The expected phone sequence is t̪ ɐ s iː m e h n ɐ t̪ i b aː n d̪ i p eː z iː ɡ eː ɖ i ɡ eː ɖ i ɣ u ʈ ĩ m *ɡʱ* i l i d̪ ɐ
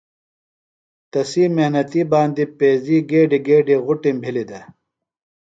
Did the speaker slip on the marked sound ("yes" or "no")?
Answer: yes